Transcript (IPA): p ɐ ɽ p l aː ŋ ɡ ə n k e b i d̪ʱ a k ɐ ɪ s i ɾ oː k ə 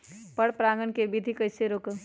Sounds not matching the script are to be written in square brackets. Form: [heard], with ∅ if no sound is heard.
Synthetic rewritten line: p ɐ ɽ p [ɾ] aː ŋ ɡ ə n k e b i d̪ʱ [i] k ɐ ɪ s [e] ɾ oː k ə

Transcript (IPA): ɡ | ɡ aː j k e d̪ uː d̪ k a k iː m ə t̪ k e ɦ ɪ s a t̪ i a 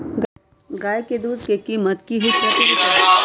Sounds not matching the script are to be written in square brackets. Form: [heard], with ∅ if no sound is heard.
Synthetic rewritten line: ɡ | ɡ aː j k e d̪ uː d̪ k [e] k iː m ə t̪ k [i] ɦ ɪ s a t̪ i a

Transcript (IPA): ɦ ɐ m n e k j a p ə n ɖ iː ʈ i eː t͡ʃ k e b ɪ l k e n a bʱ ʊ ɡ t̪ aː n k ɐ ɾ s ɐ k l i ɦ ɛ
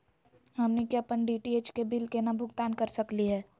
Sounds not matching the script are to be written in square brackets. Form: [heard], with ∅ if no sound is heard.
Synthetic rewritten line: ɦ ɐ m n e k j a p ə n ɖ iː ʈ i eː t͡ʃ k e b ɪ l k e n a bʱ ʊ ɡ t̪ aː n k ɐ ɾ s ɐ k l i ɦ [ɛː]

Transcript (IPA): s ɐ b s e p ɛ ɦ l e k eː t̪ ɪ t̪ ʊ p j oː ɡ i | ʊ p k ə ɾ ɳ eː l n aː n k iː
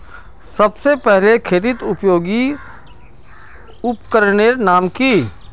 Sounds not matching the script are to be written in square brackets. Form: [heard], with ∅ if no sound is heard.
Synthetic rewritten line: s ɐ b s e p ɛ ɦ l e [kʰ] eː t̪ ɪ t̪ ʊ p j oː ɡ i | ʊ p k ə ɾ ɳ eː [ɾ] n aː [m] k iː

